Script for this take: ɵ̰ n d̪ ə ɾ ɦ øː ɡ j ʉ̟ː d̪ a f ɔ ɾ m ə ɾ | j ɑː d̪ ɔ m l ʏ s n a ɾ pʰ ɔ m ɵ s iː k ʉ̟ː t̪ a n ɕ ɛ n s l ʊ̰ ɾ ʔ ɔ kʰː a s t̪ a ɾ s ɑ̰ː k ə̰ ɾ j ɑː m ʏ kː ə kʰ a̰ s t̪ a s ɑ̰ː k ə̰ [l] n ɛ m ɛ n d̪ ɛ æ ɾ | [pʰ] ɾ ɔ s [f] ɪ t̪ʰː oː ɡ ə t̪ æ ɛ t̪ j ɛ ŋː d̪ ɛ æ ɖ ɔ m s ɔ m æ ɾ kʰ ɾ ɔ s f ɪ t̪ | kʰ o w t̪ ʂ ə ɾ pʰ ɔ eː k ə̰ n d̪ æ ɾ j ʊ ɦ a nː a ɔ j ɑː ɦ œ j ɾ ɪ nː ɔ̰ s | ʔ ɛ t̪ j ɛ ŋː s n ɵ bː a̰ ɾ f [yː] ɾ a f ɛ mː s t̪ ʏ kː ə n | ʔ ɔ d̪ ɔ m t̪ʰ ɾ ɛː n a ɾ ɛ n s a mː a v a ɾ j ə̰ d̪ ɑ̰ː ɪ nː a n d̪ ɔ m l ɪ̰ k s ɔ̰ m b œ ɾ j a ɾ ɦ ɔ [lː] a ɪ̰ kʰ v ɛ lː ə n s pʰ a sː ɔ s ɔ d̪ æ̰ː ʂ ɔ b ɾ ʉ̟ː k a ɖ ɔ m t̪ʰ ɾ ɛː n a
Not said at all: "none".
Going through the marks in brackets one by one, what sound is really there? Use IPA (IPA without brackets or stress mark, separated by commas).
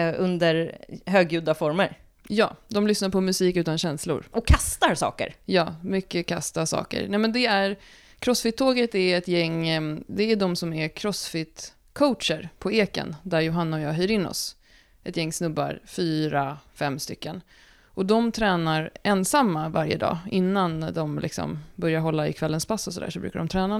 ɾ, kʰ, f, yː, lː